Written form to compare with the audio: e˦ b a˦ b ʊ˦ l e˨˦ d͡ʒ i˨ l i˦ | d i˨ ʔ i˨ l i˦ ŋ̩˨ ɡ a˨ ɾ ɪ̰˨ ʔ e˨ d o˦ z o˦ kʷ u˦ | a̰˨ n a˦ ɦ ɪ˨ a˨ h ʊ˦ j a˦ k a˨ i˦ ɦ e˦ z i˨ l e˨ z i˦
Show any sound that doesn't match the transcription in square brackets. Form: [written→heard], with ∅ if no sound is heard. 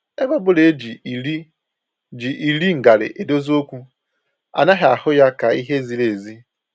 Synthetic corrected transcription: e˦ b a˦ b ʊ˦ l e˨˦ d͡ʒ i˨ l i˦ | [d→d͡ʒ] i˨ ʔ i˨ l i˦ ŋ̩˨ ɡ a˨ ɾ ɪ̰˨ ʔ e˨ d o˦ z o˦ kʷ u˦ | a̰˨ n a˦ ɦ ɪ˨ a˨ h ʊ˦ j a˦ k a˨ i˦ ɦ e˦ z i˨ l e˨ z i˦

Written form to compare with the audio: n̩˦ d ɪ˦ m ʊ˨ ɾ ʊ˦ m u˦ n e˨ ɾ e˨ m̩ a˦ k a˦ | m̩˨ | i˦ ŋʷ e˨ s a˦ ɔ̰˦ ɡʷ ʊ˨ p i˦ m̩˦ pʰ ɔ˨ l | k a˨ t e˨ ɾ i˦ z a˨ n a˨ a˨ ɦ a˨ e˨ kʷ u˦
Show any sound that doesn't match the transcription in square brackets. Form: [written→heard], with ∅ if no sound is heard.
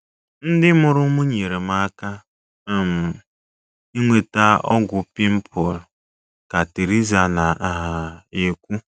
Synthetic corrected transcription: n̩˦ d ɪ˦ m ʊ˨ ɾ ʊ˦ m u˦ [n→ɲ] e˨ ɾ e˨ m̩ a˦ k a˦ | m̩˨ | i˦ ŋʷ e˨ [s→t] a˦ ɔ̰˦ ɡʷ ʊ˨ p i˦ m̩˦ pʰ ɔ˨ l | k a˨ t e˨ ɾ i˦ z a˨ n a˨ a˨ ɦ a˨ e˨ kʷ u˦

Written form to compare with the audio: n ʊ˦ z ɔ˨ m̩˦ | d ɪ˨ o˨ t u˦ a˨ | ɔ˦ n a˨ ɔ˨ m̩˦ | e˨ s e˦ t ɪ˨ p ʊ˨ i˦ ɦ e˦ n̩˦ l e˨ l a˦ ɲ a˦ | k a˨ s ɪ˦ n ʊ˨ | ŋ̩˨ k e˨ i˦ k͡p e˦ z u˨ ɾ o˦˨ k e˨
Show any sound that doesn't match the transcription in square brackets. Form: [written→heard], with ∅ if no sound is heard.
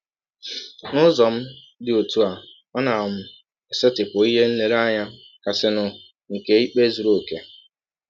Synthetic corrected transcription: n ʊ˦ z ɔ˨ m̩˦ | d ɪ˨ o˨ t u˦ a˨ | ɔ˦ n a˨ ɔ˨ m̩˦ | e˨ s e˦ t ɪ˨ p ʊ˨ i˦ ɦ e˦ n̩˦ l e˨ [l→ɾ] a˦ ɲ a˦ | k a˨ s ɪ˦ n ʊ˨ | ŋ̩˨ k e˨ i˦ k͡p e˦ z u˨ ɾ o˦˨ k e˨

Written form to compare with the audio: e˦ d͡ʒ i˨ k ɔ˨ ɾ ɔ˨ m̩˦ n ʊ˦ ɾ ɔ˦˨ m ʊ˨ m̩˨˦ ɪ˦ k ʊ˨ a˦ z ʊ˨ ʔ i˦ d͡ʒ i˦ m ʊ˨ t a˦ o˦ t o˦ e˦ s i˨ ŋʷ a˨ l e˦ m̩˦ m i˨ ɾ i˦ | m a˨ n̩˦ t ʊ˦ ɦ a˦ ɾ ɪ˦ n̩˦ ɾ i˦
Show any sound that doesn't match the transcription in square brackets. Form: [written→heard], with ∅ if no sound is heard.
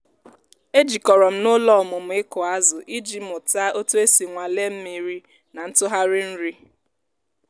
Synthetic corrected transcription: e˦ d͡ʒ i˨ k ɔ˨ ɾ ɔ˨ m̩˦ n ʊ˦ [ɾ→l] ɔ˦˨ m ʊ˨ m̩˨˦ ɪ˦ k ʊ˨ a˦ z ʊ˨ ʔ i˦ d͡ʒ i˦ m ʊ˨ t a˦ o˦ t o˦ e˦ s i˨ ŋʷ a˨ l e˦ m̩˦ m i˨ ɾ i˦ | [m→n] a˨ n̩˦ t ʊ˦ ɦ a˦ ɾ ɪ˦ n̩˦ ɾ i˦

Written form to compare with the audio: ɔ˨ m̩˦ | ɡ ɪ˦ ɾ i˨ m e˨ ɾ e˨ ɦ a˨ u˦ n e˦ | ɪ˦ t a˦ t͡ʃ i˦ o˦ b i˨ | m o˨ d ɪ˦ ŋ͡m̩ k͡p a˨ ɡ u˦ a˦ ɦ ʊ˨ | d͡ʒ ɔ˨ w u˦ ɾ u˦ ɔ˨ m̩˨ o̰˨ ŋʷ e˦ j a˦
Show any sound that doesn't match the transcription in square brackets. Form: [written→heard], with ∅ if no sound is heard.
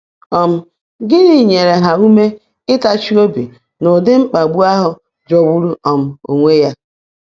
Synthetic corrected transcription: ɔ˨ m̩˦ | ɡ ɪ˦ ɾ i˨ [m→ɲ] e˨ ɾ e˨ ɦ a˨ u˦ [n→m] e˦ | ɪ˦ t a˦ t͡ʃ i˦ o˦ b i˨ | [m→n] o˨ d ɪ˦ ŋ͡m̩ k͡p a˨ [ɡ→ɡ͡b] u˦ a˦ ɦ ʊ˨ | d͡ʒ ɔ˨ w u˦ ɾ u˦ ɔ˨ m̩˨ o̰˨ ŋʷ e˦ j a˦

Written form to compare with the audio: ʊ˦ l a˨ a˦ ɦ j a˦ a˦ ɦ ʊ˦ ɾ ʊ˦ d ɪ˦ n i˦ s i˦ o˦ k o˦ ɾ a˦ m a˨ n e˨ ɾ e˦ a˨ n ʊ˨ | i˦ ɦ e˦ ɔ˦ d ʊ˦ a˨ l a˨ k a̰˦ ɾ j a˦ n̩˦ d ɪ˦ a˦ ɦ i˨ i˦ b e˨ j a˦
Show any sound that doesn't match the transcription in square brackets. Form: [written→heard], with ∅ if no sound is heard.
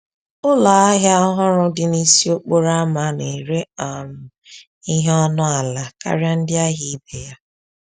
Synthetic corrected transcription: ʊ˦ l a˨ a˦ ɦ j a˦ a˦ ɦ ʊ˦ ɾ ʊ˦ d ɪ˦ n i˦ s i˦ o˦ [k→k͡p] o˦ ɾ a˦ m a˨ n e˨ ɾ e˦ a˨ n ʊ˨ | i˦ ɦ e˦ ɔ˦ [d→n] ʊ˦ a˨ l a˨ k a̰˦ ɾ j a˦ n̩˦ d ɪ˦ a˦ ɦ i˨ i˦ b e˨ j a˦

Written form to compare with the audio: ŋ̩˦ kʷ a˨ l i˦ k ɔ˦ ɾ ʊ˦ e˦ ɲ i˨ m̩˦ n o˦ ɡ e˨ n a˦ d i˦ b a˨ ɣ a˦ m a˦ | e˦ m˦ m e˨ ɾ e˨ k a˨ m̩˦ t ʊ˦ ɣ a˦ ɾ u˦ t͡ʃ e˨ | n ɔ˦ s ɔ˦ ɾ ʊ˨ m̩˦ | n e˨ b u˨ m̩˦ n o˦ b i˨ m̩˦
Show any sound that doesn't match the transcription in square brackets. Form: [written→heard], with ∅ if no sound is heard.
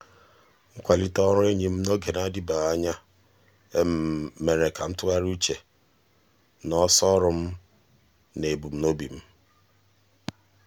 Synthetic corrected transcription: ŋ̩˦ kʷ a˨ l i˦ [k→t] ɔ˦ ɾ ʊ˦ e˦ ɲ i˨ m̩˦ n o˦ ɡ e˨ n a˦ d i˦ b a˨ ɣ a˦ [m→ɲ] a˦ | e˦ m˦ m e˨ ɾ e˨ k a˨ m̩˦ t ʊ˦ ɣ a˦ ɾ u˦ t͡ʃ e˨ | n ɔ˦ s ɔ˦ ɾ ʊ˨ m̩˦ | n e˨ b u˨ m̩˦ n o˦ b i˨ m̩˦

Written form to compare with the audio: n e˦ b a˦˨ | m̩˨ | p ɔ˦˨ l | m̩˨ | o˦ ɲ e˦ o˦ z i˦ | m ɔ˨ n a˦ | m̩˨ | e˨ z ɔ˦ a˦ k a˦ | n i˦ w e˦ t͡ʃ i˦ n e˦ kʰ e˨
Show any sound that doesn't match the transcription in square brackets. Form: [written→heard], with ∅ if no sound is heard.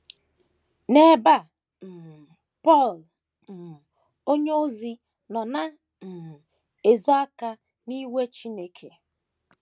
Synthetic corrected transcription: n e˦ b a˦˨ | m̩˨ | p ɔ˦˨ l | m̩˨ | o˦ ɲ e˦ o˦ z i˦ | [m→n] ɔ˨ n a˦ | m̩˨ | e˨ z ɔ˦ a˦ k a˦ | n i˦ w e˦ t͡ʃ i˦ n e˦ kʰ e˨

